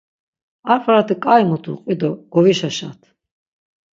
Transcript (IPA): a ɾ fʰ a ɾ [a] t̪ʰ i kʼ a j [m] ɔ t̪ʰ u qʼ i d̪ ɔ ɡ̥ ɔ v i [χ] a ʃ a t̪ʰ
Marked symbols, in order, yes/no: yes, yes, no

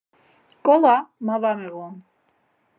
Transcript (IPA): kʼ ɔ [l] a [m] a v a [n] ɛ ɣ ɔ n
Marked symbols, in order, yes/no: yes, yes, no

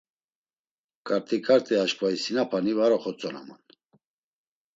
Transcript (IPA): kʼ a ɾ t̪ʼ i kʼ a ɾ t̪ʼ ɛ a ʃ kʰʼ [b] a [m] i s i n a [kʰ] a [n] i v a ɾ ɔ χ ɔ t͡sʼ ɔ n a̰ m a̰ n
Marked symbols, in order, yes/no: no, no, no, yes

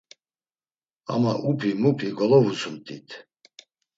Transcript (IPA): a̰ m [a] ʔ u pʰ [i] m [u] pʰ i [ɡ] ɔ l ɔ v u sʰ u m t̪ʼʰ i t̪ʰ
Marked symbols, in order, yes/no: yes, yes, yes, yes

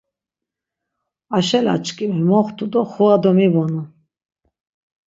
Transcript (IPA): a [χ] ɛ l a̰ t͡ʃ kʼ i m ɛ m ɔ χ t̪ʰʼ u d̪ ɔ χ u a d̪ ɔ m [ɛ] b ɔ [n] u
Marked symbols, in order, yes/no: no, no, yes

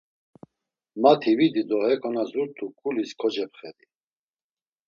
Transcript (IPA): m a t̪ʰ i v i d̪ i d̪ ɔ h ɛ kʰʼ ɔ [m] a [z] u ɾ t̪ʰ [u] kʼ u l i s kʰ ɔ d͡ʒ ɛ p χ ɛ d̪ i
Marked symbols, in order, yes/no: no, yes, yes

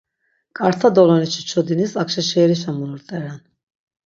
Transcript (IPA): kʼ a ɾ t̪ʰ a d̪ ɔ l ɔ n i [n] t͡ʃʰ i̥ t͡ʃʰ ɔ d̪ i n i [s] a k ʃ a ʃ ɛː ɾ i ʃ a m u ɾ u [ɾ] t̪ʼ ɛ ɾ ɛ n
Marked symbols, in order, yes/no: no, yes, yes

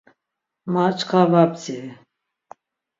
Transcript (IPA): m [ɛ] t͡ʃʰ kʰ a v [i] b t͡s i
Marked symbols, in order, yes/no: no, no

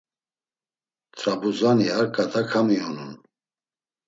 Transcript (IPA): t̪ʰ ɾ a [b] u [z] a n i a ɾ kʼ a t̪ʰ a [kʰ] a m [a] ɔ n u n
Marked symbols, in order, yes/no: yes, yes, yes, no

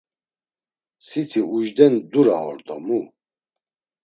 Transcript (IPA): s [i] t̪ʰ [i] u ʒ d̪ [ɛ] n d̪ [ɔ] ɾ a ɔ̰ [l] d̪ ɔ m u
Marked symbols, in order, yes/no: yes, yes, yes, no, no

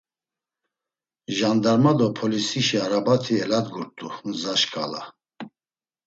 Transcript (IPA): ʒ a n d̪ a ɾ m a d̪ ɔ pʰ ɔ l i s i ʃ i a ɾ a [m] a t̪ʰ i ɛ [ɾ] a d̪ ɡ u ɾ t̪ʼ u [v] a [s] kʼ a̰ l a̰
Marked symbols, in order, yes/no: no, no, no, no

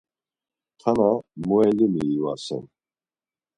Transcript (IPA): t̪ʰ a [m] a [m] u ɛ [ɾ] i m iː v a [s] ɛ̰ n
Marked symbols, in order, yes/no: no, yes, no, yes

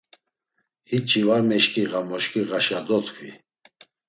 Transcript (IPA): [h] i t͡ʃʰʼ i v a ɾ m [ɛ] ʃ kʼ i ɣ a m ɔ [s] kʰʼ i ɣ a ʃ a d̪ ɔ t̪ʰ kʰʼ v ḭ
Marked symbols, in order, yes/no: yes, yes, no

